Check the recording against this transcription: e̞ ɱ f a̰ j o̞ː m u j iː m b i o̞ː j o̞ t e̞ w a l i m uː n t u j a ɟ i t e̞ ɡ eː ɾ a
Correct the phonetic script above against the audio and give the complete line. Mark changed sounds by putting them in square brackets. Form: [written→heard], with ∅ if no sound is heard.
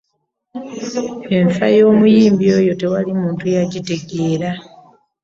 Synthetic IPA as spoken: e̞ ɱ f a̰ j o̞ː m u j iː m b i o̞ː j o̞ t e̞ w a l i m uː n t u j a ɟ i t e̞ ɡ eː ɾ a